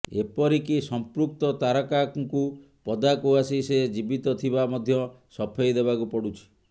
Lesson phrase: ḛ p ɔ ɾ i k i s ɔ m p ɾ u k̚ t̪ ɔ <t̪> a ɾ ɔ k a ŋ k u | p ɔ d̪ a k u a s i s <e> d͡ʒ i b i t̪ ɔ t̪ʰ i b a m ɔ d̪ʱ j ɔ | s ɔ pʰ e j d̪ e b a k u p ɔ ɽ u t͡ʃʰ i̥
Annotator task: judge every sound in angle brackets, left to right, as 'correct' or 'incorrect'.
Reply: correct, correct

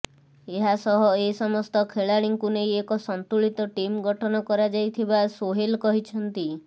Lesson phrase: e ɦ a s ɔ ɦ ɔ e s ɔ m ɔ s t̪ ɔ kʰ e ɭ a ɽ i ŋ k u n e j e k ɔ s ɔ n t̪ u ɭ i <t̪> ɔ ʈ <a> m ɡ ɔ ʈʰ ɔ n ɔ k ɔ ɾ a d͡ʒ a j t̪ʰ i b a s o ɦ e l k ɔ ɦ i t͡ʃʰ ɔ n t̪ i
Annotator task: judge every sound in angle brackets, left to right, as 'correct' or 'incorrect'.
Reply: correct, incorrect: i

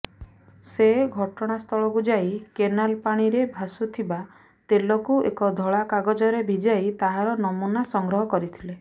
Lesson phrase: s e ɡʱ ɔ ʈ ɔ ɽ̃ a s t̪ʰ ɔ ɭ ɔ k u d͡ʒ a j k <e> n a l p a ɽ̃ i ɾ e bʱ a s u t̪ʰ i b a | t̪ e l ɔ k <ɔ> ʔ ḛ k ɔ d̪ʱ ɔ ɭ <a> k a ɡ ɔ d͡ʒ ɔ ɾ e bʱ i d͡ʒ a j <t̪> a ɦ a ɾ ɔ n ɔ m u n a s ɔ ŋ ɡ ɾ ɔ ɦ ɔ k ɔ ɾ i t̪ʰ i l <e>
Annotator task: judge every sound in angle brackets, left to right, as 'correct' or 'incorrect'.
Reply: correct, incorrect: u, correct, correct, correct

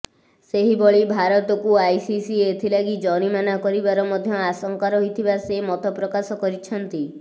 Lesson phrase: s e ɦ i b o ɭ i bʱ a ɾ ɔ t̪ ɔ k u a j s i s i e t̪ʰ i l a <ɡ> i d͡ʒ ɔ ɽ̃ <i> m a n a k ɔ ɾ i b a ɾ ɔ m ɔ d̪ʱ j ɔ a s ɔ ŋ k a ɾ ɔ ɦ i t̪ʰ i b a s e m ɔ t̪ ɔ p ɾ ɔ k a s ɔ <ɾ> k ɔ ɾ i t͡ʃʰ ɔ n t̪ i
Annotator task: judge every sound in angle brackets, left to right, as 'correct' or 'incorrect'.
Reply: correct, correct, incorrect: none

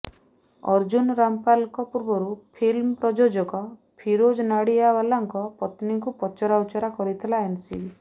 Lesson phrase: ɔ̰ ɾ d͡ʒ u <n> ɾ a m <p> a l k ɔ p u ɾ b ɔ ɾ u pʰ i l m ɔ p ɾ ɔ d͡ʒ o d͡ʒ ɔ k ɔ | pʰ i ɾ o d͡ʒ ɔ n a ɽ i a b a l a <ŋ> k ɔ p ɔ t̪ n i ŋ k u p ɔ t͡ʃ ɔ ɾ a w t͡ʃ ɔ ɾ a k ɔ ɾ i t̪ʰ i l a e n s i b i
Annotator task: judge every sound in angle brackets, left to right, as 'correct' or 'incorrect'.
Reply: correct, correct, correct

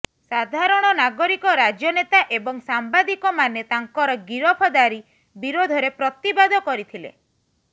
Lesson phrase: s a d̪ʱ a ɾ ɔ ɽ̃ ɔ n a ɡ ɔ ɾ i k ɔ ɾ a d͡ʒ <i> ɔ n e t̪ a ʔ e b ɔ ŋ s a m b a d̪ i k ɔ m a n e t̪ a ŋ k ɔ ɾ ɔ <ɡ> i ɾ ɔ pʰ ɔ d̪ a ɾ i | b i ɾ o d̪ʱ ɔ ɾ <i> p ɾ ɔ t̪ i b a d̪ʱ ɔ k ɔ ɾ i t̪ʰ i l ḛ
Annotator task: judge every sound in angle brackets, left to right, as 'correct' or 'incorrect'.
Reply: incorrect: j, correct, incorrect: e

